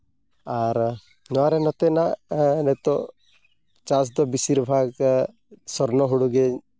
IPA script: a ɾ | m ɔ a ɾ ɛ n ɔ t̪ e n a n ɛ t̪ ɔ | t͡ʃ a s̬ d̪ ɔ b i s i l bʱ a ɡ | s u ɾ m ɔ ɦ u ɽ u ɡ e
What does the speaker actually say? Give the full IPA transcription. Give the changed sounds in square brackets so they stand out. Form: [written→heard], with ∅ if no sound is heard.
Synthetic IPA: a ɾ | [m→n] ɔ a ɾ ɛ n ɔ t̪ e n a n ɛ t̪ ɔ | t͡ʃ a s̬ d̪ ɔ b i s i [l→ɾ] bʱ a ɡ | s [u→ɔ] ɾ [m→n] ɔ ɦ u ɽ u ɡ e

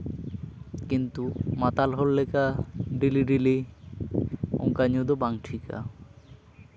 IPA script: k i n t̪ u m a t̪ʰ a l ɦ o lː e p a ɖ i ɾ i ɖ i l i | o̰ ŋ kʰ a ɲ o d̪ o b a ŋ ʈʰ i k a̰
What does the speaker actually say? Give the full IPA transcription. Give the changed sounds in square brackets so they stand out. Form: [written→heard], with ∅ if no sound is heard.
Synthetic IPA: k i n t̪ u m a [t̪ʰ→t̪] a l ɦ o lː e [p→k] a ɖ i [ɾ→l] i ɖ i l i | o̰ ŋ [kʰ→k] a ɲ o d̪ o b a ŋ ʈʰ i k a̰

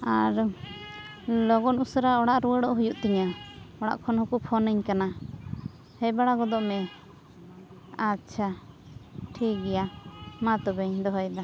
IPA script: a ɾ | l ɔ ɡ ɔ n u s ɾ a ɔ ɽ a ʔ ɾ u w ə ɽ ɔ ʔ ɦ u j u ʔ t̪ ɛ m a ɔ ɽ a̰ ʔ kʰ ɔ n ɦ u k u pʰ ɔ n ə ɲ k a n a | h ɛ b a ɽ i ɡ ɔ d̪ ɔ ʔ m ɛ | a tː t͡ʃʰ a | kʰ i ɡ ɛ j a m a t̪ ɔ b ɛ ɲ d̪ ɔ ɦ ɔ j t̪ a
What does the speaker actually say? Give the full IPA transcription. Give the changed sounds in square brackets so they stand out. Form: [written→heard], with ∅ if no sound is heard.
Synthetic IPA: a ɾ | l ɔ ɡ ɔ n u s ɾ a ɔ ɽ a ʔ ɾ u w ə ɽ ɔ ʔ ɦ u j u ʔ t̪ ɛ [m→ɲ] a ɔ ɽ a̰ ʔ kʰ ɔ n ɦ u k u pʰ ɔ n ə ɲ k a n a | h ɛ b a ɽ [i→a] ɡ ɔ d̪ ɔ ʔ m ɛ | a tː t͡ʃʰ a | [kʰ→ʈʰ] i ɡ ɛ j a m a t̪ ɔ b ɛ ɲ d̪ ɔ ɦ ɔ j [t̪→d̪] a

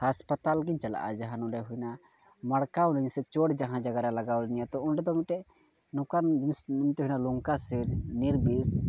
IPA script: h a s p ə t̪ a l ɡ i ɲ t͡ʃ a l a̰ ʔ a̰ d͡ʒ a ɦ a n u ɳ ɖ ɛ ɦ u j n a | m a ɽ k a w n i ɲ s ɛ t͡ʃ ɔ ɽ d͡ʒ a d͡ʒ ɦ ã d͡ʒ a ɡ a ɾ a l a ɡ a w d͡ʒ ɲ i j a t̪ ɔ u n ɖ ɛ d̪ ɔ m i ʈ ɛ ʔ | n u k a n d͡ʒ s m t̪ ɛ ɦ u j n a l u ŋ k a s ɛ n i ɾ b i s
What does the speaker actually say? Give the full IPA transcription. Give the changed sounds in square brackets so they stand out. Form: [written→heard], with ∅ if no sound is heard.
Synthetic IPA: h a s p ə t̪ a l ɡ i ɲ t͡ʃ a l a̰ ʔ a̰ d͡ʒ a ɦ a n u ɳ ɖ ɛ ɦ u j n a | m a ɽ k a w n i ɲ s ɛ t͡ʃ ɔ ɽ d͡ʒ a [d͡ʒ→∅] ɦ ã d͡ʒ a ɡ a ɾ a l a ɡ a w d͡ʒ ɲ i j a t̪ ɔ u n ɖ ɛ d̪ ɔ m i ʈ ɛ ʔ | n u k a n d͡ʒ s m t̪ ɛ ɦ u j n a l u ŋ k a s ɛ n i ɾ b i s

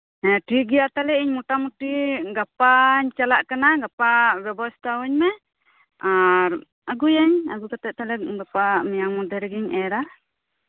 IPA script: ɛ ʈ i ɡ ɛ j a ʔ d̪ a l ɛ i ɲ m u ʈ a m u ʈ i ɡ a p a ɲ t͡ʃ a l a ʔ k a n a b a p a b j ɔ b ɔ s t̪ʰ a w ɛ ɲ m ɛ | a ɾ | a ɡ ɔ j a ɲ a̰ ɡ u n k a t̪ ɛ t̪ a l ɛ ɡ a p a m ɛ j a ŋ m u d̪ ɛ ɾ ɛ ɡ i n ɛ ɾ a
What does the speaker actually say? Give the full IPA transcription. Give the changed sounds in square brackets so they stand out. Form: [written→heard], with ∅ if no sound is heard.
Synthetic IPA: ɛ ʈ i ɡ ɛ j a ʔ [d̪→t̪] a l ɛ i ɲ m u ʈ a m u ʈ i ɡ a p a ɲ t͡ʃ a l a ʔ k a n a [b→ɡ] a p a b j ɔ b ɔ s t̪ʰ a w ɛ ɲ m ɛ | a ɾ | a ɡ [ɔ→u] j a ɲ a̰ ɡ u [n→∅] k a t̪ ɛ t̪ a l ɛ ɡ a p a m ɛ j a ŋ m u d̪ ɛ ɾ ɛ ɡ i [n→ɲ] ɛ ɾ a

